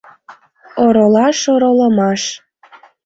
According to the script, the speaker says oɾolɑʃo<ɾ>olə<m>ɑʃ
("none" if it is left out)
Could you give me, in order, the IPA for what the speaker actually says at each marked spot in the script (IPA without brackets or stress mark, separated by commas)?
ɾ, m